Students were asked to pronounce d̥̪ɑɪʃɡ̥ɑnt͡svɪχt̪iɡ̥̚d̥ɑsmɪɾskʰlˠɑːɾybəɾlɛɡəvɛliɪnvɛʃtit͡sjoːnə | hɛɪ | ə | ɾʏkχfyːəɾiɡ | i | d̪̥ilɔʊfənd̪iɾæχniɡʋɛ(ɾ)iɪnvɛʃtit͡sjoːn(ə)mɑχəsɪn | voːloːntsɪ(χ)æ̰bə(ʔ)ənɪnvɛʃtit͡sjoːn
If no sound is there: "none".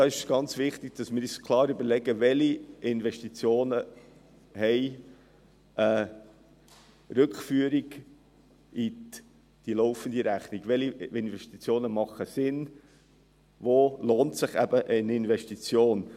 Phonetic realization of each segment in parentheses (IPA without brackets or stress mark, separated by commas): l, ə, χ, ʔ